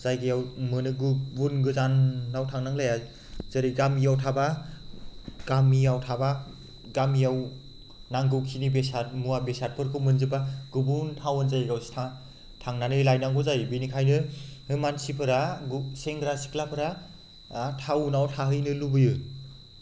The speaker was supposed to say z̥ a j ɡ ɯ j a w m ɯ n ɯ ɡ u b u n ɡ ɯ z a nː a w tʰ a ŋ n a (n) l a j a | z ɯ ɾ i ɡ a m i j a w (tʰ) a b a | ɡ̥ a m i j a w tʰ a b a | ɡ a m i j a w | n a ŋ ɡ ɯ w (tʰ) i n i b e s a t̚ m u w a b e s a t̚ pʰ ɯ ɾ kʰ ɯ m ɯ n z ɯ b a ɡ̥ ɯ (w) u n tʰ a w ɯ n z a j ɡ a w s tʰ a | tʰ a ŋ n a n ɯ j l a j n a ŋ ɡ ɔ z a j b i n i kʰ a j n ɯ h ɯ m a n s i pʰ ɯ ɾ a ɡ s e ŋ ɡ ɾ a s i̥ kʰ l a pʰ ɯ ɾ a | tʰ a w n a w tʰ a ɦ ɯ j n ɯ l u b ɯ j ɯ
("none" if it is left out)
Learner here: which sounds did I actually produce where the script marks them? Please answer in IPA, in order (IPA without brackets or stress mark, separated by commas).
ŋ, tʰ, kʰ, b